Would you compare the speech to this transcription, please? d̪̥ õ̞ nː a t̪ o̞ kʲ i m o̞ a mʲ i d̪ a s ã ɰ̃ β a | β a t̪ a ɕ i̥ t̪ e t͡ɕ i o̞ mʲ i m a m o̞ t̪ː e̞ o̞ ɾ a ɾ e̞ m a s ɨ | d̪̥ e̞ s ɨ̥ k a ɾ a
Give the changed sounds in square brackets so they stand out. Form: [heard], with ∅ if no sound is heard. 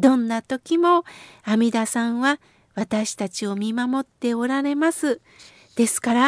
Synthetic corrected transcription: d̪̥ õ̞ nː a t̪ o̞ kʲ i m o̞ a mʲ i d̪ a s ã ɰ̃ β a | β a t̪ a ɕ i̥ t̪ [a] t͡ɕ i o̞ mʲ i m a m o̞ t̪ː e̞ o̞ ɾ a ɾ e̞ m a s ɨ | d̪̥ e̞ s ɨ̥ k a ɾ a